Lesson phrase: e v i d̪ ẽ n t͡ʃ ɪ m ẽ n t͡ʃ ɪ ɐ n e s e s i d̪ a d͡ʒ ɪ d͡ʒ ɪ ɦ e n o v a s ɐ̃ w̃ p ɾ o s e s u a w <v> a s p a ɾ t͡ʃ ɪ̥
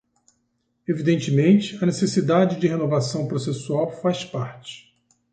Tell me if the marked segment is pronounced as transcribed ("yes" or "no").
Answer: no